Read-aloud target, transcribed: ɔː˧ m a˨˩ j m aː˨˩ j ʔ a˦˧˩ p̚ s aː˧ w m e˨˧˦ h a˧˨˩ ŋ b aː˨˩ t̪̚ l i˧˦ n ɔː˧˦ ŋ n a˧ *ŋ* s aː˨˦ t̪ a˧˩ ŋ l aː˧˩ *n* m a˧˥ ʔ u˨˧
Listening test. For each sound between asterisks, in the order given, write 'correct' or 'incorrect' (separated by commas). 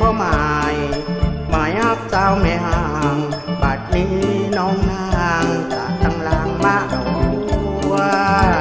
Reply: correct, incorrect